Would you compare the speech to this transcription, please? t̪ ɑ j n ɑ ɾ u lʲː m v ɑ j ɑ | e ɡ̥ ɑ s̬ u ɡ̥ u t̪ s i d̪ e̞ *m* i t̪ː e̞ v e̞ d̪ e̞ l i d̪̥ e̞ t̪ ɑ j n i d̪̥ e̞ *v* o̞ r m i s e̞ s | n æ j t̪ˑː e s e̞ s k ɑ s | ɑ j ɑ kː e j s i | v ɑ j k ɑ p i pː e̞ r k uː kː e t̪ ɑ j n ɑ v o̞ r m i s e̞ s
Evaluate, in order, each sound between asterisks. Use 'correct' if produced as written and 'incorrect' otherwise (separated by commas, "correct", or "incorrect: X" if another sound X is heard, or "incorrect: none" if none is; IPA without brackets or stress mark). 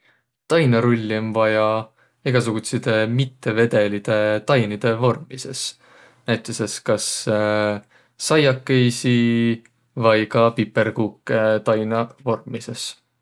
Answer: correct, correct